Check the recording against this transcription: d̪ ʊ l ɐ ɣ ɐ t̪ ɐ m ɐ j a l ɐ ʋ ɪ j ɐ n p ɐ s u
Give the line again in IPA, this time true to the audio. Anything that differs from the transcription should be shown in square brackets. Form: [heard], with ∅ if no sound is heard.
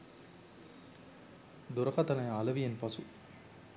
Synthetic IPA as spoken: d̪ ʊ [ɾ] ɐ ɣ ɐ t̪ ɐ [n] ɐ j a l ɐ ʋ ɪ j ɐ n p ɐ s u